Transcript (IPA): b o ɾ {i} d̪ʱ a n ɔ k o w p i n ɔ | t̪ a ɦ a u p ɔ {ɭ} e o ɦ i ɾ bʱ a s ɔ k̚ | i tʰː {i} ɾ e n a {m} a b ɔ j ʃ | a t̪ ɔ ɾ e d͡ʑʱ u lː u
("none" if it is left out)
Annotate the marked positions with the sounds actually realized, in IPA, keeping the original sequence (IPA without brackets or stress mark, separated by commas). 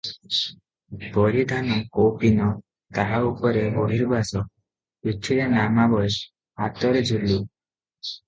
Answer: i, ɾ, i, m